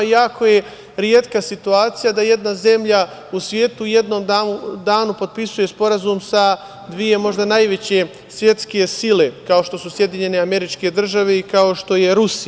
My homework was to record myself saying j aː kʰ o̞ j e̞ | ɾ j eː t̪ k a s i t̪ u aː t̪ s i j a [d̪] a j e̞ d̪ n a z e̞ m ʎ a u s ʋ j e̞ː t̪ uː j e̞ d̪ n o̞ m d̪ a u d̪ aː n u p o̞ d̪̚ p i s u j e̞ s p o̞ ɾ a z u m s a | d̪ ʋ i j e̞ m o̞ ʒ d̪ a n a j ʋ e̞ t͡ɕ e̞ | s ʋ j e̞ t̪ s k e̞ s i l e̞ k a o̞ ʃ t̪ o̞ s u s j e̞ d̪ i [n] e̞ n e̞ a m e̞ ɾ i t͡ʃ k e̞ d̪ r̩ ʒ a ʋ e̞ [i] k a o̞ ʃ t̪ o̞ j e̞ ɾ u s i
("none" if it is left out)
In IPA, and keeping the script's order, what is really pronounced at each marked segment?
d̪, ɲ, i

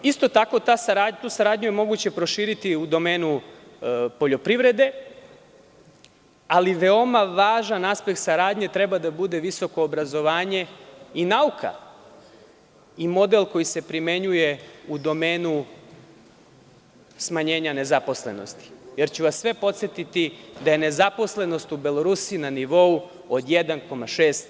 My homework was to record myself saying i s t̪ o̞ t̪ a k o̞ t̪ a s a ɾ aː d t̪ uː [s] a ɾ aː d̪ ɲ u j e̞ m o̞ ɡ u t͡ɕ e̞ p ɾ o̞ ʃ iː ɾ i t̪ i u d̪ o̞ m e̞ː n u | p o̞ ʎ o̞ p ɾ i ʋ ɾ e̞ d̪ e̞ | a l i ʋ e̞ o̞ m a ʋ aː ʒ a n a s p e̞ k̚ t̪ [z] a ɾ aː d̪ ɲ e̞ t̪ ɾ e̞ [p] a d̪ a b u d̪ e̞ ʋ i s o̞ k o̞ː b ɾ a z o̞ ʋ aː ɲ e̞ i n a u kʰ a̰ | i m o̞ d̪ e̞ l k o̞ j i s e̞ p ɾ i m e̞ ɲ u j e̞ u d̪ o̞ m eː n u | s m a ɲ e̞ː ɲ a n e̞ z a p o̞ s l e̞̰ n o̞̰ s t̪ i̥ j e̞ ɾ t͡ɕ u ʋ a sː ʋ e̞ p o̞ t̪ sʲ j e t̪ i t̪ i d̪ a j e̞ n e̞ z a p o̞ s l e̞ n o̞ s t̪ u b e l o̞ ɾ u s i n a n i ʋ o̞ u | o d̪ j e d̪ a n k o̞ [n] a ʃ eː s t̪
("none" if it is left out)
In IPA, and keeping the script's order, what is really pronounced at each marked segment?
s, s, b, m

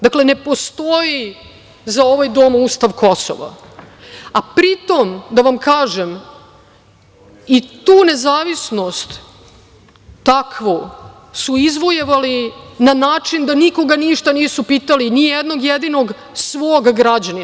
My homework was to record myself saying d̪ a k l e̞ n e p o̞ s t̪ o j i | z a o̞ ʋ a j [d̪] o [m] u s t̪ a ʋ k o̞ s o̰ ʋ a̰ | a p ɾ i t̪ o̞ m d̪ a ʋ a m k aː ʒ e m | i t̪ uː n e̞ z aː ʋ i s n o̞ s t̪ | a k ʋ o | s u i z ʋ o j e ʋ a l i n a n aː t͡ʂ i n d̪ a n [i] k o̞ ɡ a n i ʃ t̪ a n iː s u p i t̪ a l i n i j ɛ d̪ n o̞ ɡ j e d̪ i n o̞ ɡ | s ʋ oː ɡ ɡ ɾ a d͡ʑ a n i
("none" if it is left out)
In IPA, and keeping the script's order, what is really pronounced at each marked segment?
d̪, m, i

